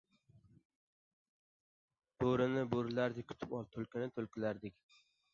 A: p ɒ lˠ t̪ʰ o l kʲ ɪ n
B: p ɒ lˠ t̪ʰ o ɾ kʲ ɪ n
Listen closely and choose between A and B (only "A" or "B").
A